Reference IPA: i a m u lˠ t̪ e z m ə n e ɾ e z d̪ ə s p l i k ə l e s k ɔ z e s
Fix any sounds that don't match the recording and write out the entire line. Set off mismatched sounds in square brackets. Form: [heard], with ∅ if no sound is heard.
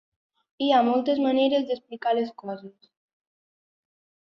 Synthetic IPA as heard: i a m [ɔ] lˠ t̪ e z m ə n e ɾ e z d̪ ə s p l i k [a] l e s k ɔ z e s

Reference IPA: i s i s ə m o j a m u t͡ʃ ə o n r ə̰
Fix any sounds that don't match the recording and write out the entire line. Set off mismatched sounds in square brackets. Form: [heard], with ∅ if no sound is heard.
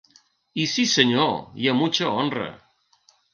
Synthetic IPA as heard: i s i s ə [ɲ] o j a m u t͡ʃ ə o n r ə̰

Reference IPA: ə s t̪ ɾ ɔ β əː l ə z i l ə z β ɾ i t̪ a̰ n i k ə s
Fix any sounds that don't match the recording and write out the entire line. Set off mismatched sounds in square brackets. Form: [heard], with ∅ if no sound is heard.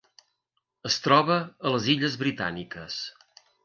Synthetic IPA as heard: ə s t̪ ɾ ɔ β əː l ə z i [ʎ] ə z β ɾ i t̪ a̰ n i k ə s

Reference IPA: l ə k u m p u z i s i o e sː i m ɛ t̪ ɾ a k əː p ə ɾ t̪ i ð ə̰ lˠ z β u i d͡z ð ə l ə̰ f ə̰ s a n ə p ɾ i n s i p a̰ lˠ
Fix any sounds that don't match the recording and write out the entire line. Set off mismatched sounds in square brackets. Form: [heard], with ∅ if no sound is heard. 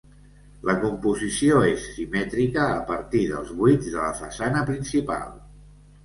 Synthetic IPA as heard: l ə k u m p u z i s i o e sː i m ɛ t̪ ɾ [i] k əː p ə ɾ t̪ i ð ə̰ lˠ z β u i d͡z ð ə l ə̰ f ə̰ s a n ə p ɾ i n s i p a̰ lˠ

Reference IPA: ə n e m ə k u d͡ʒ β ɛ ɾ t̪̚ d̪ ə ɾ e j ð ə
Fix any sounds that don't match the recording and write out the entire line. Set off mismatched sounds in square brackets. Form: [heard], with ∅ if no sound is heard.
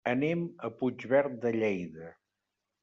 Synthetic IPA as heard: ə n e m ə [p] u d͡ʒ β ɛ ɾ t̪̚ d̪ ə [ʎ] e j ð ə

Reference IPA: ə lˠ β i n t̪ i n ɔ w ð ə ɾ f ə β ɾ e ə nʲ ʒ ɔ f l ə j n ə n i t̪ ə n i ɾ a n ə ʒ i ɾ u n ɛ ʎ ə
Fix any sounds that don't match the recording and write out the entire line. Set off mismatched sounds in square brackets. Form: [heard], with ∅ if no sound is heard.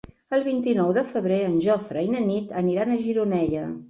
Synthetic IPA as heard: ə lˠ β i n t̪ i n ɔ w ð ə [∅] f ə β ɾ e ə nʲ ʒ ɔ f [ɾ] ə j n ə n i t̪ ə n i ɾ a n ə ʒ i ɾ u n ɛ ʎ ə

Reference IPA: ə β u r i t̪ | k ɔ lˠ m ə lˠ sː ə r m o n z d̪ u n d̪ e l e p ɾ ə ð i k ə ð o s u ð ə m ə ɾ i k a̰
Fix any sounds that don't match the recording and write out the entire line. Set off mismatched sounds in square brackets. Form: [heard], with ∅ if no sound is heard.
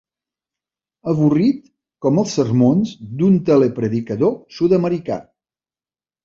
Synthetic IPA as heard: ə β u r i t̪ | k ɔ [∅] m ə lˠ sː ə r m o n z d̪ u n [t̪] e l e p ɾ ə ð i k ə ð o s u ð ə m ə ɾ i k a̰

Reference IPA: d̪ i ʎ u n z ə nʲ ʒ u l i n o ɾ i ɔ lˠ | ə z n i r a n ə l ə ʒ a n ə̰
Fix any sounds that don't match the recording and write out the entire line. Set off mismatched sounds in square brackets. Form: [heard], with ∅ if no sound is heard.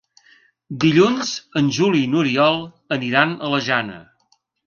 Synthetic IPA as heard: d̪ i ʎ u n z ə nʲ ʒ u l i n [u] ɾ i ɔ lˠ | ə [∅] n i [ɾ] a n ə l ə ʒ a n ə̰

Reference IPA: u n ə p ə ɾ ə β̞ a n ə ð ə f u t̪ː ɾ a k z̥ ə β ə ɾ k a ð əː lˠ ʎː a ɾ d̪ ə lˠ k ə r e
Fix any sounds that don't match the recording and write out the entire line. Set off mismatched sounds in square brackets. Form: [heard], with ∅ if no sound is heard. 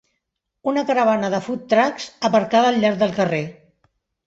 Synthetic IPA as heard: u n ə [k] ə ɾ ə β̞ a n ə ð ə f u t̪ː ɾ a k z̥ ə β ə ɾ k a ð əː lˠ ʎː a ɾ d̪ ə lˠ k ə r e

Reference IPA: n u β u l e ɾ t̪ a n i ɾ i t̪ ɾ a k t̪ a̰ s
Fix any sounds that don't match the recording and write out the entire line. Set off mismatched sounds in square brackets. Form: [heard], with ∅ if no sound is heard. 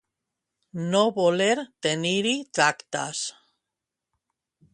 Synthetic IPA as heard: n [o] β [o] l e ɾ t̪ [e] n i ɾ i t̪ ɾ a k t̪ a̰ s

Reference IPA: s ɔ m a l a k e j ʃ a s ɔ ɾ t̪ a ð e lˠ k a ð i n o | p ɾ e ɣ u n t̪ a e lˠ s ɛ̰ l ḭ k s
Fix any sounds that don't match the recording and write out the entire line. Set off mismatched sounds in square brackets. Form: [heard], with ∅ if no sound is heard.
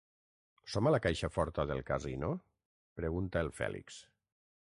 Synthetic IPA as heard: s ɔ m a l a k [a] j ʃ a [f] ɔ ɾ t̪ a ð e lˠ k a [z] i n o | p ɾ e ɣ u n t̪ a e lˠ [f] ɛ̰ l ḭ k s

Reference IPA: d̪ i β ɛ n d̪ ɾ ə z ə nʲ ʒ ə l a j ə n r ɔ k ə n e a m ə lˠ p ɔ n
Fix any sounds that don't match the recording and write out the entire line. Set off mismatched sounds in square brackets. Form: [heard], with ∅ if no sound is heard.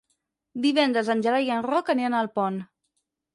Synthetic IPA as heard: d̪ i β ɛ n d̪ ɾ ə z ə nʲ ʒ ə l a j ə n r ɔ k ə n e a [n] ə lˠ p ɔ n

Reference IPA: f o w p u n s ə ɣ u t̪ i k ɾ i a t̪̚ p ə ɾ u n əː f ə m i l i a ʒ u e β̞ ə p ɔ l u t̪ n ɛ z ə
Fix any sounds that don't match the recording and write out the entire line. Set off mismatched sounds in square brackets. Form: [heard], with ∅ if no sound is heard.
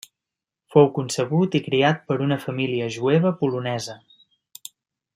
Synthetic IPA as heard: f o w [k] u n s ə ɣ u t̪ i k ɾ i a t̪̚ p ə ɾ u n [ə] f ə m i l i [ə] ʒ u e β̞ ə p [u] l u [∅] n ɛ z ə

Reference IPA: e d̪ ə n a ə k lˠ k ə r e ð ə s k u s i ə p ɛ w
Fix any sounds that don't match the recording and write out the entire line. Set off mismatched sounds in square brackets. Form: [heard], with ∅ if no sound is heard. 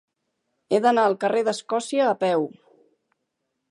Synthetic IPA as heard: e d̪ ə n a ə [∅] lˠ k ə r e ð ə s k [ɔ] s i [əː] p ɛ w

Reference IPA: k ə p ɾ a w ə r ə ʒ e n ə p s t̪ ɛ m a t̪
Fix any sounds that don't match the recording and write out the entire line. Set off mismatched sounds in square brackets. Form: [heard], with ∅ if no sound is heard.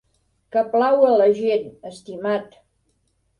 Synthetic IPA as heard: k ə p [l] a w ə [l] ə ʒ e n ə [∅] s t̪ [i] m a t̪

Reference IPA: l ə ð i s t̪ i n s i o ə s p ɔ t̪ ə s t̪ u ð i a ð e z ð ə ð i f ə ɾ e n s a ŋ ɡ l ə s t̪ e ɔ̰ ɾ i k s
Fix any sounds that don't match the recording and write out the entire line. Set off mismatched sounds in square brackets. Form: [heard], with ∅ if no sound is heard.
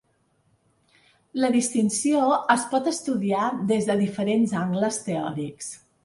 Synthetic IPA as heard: l ə ð i s t̪ i n s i o ə s p ɔ t̪ ə s t̪ u ð i a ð e z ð ə ð i f ə ɾ e n [z] a ŋ ɡ l ə s t̪ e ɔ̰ ɾ i k s

